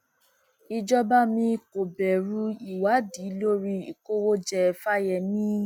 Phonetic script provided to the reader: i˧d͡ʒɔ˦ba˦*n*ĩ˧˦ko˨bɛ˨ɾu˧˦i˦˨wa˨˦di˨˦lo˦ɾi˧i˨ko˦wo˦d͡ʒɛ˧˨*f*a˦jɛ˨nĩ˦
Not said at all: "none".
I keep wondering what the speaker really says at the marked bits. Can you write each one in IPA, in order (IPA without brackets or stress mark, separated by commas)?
m, f